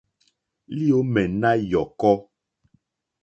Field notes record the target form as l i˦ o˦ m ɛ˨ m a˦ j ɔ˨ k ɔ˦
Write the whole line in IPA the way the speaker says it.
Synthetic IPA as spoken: l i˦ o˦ m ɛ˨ n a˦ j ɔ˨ k ɔ˦